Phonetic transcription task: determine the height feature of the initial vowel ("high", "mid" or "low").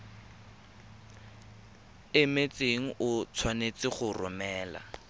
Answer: high